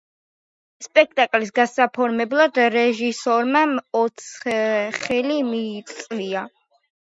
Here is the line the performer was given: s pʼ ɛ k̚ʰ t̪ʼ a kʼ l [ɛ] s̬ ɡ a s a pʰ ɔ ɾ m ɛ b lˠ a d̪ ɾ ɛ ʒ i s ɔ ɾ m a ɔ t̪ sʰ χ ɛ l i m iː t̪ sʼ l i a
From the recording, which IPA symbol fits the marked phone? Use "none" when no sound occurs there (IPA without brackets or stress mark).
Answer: i